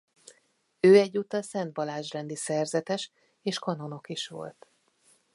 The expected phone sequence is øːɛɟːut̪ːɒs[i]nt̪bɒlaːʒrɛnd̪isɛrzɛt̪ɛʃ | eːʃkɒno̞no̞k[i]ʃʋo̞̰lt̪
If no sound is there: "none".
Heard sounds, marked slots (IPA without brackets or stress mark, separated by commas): ɛ, i